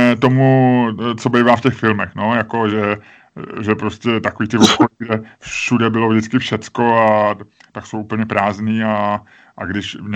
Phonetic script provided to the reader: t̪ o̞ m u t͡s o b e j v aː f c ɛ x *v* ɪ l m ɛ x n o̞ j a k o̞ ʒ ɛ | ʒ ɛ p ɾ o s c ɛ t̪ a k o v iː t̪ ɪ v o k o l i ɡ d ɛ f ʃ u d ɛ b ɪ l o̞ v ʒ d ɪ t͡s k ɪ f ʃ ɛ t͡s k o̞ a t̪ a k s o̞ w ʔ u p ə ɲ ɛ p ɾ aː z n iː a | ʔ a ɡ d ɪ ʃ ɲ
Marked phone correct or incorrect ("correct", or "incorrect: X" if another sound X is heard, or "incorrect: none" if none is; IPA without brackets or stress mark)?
incorrect: f